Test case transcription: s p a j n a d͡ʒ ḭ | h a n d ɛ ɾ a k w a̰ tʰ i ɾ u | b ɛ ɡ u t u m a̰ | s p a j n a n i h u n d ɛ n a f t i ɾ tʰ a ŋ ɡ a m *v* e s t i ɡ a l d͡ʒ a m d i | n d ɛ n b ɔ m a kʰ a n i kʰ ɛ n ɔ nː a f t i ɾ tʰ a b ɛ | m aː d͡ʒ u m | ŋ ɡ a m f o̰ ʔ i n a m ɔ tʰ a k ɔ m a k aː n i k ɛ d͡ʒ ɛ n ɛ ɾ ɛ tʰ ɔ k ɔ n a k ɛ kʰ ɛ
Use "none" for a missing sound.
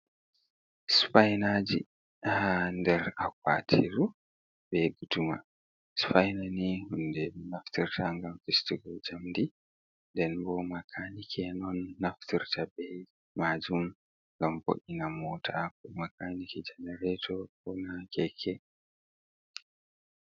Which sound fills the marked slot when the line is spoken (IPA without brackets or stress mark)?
f